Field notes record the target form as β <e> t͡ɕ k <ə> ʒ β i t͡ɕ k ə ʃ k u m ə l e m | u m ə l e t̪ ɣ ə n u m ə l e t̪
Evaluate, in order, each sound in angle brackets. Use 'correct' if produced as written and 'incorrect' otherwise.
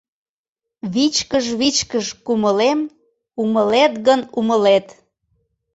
incorrect: i, correct

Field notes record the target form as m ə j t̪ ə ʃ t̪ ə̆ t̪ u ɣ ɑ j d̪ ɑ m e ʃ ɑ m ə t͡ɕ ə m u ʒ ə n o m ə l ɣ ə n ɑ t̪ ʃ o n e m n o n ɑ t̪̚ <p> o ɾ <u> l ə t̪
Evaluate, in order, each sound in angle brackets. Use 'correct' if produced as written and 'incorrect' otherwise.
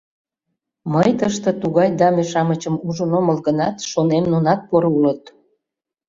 correct, correct

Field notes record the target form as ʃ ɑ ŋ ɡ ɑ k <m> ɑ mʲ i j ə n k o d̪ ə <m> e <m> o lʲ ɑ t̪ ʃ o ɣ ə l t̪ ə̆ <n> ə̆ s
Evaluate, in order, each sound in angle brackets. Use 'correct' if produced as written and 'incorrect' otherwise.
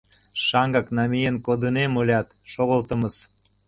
incorrect: n, incorrect: n, correct, incorrect: m

